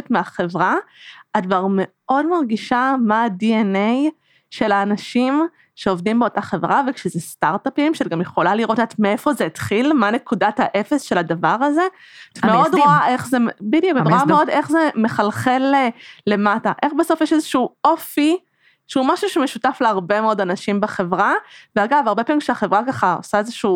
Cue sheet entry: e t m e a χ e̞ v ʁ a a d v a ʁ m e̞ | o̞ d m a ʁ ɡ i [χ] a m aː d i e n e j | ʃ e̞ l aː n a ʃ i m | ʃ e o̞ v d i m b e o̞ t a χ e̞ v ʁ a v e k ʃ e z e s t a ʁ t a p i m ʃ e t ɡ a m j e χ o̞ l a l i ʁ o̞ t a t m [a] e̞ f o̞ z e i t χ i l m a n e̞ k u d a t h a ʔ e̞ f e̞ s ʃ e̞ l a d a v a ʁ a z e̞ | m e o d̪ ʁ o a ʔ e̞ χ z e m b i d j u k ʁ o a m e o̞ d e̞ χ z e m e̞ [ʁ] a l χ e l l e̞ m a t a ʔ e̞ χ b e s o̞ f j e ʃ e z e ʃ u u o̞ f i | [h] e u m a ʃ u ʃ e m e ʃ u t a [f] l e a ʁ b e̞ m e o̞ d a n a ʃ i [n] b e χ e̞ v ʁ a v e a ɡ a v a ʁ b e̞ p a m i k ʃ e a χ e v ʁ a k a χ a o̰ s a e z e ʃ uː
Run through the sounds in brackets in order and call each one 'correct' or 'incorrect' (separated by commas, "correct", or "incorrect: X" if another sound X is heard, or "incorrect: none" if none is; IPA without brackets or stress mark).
incorrect: ʃ, incorrect: e, incorrect: χ, incorrect: ʃ, correct, incorrect: m